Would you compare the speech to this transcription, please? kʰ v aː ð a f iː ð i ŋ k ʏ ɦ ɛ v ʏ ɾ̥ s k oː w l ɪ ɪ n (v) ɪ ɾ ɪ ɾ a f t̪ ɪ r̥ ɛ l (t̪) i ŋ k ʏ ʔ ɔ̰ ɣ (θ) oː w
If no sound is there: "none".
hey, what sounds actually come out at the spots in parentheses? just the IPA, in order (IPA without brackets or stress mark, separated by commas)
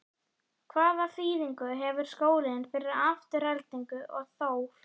f, t̪, θ